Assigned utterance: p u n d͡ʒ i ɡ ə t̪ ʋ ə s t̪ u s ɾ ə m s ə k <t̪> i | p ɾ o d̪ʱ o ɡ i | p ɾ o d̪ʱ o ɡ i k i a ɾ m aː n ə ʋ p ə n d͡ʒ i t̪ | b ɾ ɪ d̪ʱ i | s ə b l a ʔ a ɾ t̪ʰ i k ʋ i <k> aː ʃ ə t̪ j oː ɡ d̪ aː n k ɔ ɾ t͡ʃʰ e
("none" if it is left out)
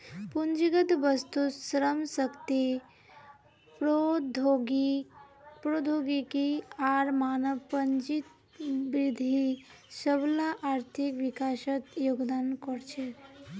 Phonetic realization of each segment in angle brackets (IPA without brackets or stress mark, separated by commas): t̪, k